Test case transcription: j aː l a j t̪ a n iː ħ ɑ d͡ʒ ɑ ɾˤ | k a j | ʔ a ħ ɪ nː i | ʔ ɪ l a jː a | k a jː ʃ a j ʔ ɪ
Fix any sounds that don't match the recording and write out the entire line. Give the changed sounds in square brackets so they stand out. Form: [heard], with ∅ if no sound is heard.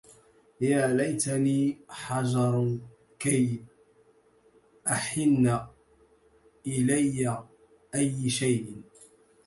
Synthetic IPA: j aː l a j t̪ a n iː ħ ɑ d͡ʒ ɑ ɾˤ | k a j | ʔ a ħ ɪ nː [a] | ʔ ɪ l a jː a | [ʔ] a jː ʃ a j ʔ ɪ